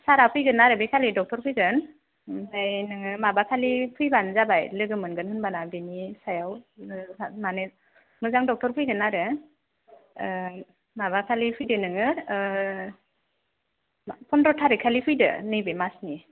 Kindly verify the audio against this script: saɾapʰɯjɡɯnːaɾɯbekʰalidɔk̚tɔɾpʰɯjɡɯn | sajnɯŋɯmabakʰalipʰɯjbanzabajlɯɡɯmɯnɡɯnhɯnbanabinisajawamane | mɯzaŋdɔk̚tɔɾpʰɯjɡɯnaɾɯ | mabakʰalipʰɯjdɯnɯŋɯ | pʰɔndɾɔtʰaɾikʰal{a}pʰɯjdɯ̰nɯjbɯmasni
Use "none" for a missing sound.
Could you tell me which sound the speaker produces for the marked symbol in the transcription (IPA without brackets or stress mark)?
i